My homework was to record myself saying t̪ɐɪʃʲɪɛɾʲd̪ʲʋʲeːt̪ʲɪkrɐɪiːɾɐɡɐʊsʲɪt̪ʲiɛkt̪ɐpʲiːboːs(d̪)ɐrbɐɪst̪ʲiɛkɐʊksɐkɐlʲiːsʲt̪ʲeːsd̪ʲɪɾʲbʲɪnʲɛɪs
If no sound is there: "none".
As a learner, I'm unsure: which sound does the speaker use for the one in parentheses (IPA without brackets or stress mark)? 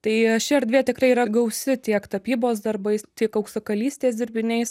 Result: d̪